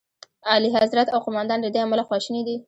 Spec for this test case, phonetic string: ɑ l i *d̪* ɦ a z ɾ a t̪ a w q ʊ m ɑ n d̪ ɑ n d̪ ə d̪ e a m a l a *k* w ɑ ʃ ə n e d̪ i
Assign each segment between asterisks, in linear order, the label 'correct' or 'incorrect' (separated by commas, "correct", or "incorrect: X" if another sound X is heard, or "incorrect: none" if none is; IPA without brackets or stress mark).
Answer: incorrect: none, incorrect: x